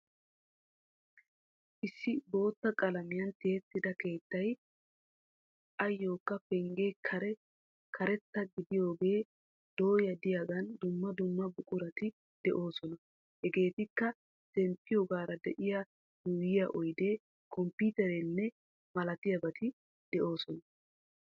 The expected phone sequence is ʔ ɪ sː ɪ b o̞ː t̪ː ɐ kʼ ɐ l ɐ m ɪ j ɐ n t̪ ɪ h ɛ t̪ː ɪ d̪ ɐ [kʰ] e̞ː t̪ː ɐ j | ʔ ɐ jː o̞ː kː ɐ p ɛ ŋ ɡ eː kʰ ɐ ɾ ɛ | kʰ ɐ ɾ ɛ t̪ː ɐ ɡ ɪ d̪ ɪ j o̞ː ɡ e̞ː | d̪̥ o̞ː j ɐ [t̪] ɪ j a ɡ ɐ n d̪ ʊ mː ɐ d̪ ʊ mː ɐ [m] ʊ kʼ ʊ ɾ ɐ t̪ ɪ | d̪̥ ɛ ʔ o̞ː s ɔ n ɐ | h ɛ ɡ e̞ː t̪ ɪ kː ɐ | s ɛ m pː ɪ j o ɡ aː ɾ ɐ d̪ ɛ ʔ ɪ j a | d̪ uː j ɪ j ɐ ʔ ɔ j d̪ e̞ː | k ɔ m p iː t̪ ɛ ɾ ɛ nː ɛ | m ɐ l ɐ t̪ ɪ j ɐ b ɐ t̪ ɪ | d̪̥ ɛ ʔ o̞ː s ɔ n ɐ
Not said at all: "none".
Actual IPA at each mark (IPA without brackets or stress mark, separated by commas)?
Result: k, d̪, b